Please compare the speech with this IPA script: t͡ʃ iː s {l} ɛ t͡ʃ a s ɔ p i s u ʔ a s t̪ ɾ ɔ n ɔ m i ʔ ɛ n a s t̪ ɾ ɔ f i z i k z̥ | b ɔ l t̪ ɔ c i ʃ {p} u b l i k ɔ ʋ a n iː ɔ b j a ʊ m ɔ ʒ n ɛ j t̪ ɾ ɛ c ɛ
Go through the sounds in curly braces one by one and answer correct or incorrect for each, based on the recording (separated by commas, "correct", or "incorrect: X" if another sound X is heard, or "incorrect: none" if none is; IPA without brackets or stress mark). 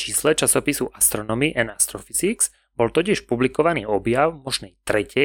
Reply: correct, correct